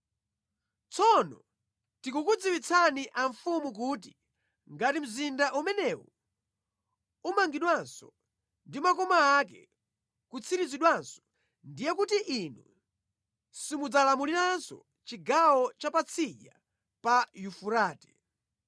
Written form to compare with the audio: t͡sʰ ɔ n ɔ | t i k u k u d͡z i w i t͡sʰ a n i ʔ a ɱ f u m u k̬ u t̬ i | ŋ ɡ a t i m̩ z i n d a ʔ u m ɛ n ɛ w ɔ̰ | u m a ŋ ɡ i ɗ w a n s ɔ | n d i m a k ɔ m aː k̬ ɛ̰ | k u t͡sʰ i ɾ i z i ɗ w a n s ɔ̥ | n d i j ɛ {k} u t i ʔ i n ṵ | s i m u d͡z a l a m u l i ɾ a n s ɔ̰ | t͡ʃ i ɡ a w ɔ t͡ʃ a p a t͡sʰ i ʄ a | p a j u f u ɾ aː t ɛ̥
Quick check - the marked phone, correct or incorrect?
correct